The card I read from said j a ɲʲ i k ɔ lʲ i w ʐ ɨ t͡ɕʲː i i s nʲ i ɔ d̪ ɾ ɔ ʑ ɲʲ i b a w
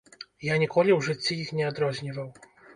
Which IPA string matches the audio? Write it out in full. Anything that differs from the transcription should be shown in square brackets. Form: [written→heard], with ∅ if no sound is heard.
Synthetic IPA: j a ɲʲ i k ɔ lʲ i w ʐ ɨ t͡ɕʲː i i [s→x] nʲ [i→ɛ] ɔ d̪ ɾ ɔ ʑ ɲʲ i [b→v] a w